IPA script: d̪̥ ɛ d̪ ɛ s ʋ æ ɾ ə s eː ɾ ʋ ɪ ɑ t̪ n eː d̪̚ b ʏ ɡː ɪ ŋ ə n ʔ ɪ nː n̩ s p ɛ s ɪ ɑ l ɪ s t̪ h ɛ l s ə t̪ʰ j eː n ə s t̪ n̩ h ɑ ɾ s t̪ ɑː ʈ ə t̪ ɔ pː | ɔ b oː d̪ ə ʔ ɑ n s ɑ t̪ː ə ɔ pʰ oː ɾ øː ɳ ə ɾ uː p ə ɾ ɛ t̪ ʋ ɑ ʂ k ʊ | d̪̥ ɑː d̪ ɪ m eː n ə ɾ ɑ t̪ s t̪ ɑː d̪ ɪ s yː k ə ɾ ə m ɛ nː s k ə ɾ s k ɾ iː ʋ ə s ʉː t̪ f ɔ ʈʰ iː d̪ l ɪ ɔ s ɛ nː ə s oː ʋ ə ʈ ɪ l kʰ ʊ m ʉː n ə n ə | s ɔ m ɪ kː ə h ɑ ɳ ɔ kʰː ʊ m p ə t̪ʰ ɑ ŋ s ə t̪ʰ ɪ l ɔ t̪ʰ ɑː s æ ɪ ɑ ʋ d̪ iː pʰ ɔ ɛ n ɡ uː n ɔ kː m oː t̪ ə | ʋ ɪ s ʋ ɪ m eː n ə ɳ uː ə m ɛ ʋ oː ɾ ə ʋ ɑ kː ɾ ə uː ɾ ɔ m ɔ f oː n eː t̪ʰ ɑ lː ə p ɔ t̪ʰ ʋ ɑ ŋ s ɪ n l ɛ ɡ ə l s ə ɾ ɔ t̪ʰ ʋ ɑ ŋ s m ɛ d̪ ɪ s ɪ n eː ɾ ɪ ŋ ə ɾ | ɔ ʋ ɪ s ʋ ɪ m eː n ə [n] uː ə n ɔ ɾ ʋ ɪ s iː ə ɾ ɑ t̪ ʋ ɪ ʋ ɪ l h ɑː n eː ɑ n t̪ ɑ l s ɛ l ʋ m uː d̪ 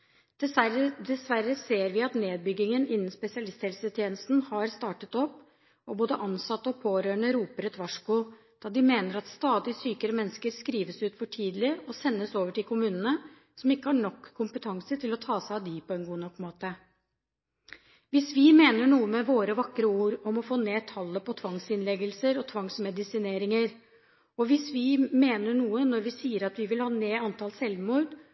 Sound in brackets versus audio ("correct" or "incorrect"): incorrect